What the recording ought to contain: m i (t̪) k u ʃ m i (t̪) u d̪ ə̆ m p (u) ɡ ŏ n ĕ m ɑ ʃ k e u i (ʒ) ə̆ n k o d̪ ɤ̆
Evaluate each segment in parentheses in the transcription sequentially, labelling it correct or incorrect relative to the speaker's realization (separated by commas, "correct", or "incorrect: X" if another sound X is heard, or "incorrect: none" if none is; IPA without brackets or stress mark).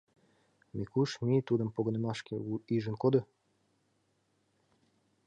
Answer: incorrect: none, correct, incorrect: o, correct